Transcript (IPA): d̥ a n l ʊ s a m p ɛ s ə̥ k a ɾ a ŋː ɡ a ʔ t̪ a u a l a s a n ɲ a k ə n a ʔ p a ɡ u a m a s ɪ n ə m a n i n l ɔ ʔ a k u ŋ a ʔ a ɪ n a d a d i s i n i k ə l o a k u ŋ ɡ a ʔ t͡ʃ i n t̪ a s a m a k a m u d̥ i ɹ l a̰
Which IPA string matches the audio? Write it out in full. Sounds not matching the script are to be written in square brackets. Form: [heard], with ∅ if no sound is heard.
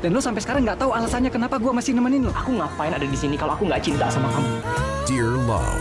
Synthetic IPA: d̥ a n l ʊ s a m p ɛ s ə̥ k a ɾ a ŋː ɡ a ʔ t̪ a u a l a s a n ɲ a k ə n a [∅] p a ɡ u a m a s ɪ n ə m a n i n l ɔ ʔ a k u ŋ a [p] a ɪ n a d a d i s i n i k [a] l o a k u ŋ ɡ a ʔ t͡ʃ i n t̪ a s a m a k a m u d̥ i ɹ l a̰